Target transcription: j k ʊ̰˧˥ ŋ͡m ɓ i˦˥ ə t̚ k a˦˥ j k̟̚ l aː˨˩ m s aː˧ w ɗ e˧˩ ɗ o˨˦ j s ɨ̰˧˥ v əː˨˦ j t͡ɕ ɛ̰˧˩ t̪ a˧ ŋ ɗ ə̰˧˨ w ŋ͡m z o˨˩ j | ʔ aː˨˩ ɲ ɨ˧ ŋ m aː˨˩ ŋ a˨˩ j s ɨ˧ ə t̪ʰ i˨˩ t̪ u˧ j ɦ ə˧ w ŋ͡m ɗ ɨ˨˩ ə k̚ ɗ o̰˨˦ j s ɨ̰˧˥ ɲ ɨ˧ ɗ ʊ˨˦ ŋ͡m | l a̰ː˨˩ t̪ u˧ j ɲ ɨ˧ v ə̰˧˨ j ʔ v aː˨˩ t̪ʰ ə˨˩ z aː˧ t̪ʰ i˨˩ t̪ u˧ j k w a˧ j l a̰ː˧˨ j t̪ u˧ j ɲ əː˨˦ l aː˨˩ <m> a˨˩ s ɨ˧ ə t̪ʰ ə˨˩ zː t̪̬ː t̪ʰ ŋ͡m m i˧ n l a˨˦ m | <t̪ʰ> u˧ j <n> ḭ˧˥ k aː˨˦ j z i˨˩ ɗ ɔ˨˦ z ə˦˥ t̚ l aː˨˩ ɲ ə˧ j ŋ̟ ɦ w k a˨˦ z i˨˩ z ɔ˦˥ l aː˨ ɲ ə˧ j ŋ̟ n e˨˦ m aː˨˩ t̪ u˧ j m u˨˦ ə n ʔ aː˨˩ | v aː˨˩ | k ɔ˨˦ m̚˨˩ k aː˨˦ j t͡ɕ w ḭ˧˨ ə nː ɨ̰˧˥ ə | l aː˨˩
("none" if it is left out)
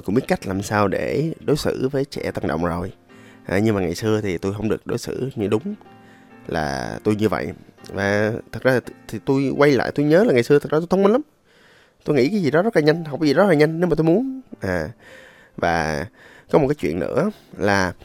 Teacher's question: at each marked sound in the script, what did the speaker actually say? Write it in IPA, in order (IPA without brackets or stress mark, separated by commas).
ŋ, t̪, ŋ